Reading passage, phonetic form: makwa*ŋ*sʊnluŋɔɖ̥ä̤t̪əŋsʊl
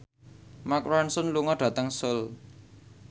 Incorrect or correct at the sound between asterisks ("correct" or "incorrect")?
incorrect